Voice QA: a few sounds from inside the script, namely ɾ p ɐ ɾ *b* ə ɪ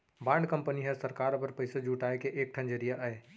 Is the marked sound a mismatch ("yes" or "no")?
yes